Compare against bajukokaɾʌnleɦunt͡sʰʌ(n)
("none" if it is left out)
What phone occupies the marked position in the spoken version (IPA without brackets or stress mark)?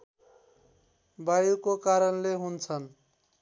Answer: n